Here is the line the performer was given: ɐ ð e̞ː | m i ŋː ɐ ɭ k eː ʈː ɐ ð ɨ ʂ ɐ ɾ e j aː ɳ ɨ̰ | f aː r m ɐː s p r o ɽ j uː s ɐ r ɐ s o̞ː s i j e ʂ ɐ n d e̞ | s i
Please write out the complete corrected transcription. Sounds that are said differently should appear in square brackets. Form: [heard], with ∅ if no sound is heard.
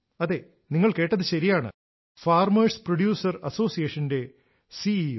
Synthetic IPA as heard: ɐ ð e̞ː | [n] i ŋː ɐ ɭ k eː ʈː ɐ ð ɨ [ɕ] ɐ ɾ [i] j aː ɳ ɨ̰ | f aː r m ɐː s p r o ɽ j uː s ɐ r ɐ s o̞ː s i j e ʂ ɐ n d e̞ | s i